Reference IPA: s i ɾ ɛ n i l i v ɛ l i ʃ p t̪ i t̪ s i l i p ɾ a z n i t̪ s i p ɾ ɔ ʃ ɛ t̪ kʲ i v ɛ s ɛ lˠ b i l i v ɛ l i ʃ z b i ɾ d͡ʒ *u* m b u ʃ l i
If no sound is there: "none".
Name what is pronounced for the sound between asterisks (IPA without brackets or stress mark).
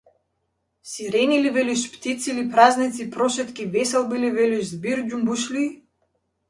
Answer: u